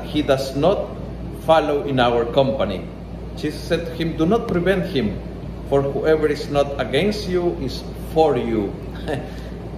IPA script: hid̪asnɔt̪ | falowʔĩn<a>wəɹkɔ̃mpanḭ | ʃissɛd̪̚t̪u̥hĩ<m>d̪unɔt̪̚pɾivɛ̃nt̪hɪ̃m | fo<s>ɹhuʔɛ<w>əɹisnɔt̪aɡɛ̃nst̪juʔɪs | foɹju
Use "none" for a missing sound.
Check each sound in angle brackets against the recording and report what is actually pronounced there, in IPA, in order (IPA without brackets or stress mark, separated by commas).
a, m, none, v